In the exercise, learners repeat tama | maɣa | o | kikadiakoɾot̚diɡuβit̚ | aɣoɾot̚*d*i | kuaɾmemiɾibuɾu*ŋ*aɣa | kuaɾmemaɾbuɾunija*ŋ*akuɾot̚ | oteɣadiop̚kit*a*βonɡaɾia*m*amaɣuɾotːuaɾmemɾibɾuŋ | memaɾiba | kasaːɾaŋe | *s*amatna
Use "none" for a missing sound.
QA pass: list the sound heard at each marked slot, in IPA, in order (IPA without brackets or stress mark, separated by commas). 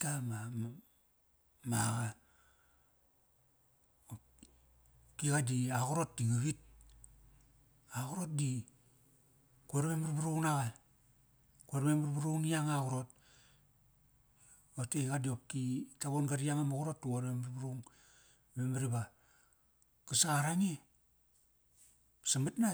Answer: d, n, ŋ, a, ŋ, s